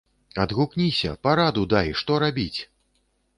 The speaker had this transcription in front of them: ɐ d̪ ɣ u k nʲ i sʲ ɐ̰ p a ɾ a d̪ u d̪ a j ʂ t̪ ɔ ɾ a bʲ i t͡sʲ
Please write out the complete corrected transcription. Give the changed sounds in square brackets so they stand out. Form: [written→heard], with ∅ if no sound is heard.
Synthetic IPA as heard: ɐ d̪ ɣ u k nʲ i sʲ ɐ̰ p a ɾ a d̪ u d̪ a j ʂ t̪ ɔ ɾ a bʲ i t͡sʲ